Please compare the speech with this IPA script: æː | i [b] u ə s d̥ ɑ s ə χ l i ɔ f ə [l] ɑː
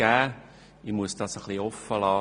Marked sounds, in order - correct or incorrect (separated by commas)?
incorrect, correct